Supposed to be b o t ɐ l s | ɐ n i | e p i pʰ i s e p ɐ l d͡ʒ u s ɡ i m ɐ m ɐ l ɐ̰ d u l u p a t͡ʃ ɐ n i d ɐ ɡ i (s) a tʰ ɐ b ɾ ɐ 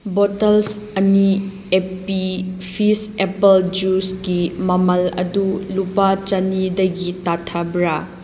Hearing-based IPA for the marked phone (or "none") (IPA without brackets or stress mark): t